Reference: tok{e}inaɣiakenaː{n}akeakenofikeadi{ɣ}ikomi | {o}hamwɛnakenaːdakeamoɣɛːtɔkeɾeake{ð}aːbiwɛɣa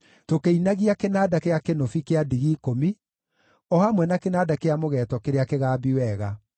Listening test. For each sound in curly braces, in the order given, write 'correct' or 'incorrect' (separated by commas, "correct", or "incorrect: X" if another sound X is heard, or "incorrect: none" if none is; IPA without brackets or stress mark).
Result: correct, incorrect: d, correct, incorrect: ɔ, incorrect: ɣ